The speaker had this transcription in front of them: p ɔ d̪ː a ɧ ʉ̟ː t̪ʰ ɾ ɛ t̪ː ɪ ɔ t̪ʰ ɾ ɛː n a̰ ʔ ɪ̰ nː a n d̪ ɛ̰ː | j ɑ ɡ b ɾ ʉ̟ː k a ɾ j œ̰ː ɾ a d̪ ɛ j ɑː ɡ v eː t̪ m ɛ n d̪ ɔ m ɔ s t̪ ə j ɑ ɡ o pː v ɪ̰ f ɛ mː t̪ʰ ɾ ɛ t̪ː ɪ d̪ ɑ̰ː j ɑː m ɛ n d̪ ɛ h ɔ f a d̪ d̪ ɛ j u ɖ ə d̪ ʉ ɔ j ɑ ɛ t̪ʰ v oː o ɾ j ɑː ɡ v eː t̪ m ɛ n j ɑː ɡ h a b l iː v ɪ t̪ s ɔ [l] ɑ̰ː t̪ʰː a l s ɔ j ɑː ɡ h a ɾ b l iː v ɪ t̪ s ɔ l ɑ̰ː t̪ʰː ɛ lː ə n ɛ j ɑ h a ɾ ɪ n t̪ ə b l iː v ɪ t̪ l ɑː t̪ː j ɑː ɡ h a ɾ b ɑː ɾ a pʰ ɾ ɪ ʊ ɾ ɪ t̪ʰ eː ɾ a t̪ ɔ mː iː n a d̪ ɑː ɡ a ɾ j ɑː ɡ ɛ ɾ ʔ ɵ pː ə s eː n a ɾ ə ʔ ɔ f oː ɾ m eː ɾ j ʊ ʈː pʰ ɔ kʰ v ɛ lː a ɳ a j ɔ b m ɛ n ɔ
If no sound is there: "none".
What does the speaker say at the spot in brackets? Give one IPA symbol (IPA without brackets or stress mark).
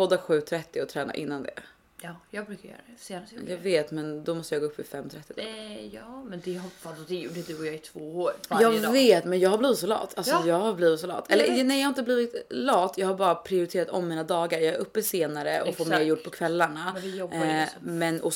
l